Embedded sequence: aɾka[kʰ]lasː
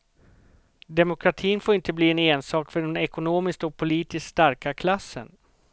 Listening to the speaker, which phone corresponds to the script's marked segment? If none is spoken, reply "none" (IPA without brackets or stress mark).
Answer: kʰ